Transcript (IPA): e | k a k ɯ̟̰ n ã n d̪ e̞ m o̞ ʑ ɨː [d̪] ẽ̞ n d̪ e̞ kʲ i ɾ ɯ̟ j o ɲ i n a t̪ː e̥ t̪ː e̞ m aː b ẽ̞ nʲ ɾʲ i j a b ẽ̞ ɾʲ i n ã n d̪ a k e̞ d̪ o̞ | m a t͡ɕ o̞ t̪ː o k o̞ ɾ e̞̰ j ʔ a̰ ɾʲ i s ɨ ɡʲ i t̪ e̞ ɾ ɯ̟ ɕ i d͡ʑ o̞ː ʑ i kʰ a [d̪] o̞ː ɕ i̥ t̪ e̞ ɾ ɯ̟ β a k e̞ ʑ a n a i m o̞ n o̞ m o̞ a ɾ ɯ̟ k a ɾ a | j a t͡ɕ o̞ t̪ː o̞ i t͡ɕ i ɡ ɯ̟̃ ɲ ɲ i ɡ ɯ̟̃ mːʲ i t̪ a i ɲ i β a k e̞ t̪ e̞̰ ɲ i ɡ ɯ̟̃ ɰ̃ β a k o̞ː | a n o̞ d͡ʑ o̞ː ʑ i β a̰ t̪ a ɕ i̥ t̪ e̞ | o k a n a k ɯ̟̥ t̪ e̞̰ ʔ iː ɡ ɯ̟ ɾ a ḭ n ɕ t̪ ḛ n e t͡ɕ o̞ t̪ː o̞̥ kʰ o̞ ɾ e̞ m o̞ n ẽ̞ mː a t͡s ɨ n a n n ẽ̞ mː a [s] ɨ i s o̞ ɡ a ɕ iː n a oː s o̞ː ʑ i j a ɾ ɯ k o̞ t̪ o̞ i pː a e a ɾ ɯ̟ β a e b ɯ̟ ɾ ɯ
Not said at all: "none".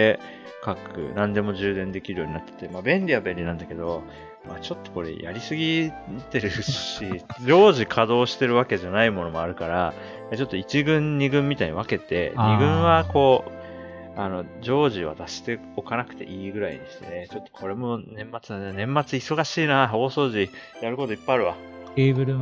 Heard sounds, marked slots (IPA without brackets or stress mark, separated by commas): d̪, d̪, t͡s